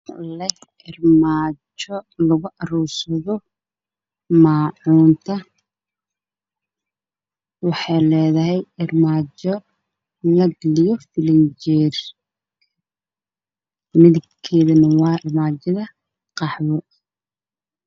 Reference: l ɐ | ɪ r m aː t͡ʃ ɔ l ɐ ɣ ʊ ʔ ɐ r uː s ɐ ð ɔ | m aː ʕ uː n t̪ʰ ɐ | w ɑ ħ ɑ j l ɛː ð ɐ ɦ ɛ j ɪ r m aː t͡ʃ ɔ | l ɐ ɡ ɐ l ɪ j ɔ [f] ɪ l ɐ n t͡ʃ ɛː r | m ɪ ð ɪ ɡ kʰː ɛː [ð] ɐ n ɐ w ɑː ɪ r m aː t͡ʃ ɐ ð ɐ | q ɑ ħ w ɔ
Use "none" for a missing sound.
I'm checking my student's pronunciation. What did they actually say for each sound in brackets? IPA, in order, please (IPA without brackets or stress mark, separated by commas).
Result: f, ð